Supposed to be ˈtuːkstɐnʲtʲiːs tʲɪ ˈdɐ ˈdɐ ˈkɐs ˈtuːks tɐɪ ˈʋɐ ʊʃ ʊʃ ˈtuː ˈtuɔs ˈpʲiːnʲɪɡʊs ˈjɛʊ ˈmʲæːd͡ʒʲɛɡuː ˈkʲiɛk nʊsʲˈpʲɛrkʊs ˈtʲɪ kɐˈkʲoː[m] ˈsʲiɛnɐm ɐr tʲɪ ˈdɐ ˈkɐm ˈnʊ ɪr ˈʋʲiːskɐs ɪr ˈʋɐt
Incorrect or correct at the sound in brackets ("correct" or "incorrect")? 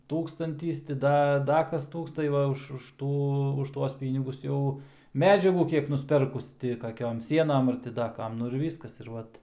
correct